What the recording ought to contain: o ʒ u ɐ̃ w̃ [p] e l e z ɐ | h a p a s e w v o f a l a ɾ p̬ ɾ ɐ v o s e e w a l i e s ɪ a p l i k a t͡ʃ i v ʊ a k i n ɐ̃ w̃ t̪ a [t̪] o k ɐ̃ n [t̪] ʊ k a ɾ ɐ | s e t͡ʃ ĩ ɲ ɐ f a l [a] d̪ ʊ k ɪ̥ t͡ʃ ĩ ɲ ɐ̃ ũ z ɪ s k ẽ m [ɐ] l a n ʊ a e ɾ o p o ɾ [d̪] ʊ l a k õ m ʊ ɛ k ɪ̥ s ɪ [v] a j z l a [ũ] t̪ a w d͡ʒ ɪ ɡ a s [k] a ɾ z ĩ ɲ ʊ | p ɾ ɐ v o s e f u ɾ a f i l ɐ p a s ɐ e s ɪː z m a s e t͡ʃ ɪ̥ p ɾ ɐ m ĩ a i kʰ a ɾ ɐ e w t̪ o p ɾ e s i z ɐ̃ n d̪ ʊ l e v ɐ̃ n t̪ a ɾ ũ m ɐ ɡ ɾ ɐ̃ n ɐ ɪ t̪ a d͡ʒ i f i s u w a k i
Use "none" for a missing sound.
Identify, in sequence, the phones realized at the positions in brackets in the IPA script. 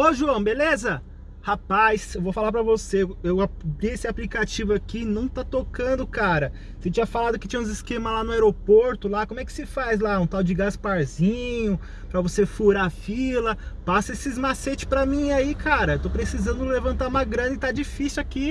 b, t̪, d̪, a, ɐ, t̪, f, ũ, p

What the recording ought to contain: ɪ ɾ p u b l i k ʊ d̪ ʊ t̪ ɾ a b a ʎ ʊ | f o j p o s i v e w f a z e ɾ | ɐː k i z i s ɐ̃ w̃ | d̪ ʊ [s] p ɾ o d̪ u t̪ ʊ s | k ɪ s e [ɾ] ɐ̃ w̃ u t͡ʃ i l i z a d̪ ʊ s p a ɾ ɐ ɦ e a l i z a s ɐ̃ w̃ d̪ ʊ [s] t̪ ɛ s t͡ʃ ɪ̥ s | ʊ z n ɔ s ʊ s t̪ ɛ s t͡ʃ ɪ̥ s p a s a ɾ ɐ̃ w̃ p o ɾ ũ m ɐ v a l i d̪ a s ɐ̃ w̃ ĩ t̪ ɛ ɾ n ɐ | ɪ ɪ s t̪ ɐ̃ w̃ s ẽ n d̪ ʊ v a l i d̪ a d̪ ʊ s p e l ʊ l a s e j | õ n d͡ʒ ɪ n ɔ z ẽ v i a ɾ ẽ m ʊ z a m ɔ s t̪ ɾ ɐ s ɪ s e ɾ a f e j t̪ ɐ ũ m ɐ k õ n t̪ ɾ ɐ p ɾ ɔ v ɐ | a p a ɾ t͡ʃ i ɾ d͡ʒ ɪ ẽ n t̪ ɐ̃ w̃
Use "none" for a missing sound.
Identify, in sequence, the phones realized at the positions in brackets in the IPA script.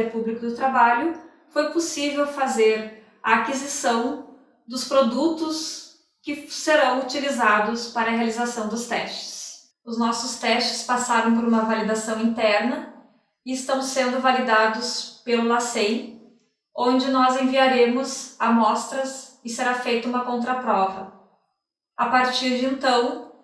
s, ɾ, s

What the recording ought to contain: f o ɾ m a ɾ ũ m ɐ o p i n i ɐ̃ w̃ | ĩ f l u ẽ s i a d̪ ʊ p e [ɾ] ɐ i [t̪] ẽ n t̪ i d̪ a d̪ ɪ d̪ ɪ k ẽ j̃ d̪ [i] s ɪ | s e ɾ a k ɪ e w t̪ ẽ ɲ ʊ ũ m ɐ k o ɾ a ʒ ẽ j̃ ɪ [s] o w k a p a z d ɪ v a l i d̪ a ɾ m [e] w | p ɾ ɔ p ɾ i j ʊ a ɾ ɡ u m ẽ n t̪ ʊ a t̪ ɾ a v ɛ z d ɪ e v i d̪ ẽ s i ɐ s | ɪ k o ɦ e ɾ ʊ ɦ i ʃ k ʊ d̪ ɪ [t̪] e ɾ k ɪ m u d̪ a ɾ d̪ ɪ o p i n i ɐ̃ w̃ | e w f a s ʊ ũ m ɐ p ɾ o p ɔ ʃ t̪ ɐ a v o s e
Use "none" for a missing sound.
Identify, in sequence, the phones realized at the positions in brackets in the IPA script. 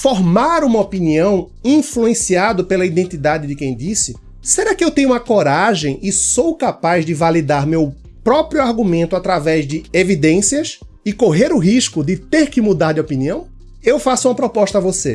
l, d̪, i, s, e, t̪

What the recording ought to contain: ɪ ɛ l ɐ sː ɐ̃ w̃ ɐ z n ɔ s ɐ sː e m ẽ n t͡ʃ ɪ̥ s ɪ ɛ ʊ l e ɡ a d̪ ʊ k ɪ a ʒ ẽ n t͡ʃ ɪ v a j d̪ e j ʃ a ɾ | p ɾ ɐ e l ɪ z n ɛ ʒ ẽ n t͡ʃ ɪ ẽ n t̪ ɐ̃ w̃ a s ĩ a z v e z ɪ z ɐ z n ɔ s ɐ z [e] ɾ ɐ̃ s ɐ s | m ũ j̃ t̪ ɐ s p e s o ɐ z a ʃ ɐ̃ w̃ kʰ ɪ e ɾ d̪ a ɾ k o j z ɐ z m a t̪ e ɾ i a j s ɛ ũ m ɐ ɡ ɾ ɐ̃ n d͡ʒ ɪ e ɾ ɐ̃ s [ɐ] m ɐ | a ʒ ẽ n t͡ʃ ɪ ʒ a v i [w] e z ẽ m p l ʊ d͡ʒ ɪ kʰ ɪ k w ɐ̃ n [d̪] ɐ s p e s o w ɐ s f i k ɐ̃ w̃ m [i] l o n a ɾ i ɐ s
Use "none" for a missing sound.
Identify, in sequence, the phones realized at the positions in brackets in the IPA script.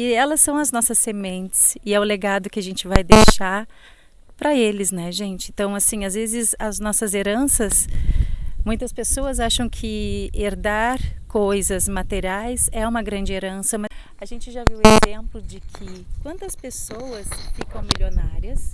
e, ɐ, w, t̪, i

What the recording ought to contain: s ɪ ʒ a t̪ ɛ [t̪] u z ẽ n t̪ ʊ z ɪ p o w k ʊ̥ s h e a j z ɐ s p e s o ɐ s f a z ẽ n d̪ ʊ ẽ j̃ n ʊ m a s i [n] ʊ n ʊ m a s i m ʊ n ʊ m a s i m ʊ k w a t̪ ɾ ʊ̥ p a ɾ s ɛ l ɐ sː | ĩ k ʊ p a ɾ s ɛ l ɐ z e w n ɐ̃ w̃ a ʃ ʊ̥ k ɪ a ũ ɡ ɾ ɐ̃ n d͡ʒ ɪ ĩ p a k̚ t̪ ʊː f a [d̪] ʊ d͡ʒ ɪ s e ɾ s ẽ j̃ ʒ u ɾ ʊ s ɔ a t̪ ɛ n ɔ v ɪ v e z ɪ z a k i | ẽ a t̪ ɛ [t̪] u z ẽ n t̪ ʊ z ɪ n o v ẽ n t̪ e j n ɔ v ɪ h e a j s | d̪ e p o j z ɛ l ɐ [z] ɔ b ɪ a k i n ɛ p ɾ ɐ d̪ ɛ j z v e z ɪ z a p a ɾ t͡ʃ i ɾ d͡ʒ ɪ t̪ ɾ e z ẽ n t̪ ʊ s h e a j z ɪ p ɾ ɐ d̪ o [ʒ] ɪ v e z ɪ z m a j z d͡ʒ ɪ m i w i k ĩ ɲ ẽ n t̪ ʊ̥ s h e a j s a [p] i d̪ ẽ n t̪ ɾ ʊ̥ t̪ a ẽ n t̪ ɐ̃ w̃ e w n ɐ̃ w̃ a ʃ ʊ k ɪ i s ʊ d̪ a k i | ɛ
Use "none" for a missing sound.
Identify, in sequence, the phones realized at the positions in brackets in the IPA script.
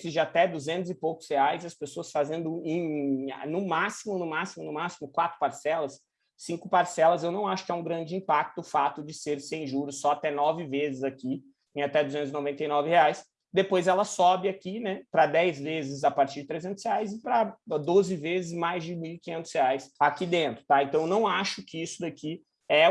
d̪, m, t̪, d̪, s, z, k

